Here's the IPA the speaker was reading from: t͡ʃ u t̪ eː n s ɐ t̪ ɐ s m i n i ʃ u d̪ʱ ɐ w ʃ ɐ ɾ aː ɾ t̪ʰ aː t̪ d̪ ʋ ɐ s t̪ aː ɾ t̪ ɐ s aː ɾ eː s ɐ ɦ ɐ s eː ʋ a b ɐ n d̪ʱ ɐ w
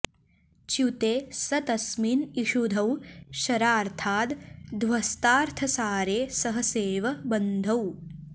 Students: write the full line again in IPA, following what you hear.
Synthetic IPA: t͡ʃ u t̪ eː s ɐ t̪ ɐ s m i n i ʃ u d̪ʱ ɐ w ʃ ɐ ɾ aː ɾ t̪ʰ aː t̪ d̪ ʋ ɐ s t̪ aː ɾ t̪ʰ ɐ s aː ɾ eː s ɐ ɦ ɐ s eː ʋ ɐ b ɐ n d̪ʱ ɐ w